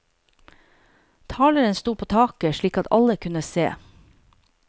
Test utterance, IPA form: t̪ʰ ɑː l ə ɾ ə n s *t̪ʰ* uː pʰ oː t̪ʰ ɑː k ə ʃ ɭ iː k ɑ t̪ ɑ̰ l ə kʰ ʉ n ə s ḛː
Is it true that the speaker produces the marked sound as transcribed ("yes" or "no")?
no